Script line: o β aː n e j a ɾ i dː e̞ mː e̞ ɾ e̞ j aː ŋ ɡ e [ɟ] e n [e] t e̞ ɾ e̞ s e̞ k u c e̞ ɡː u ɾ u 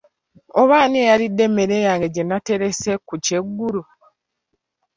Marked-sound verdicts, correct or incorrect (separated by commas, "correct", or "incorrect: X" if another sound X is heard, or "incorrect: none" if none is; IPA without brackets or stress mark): correct, incorrect: a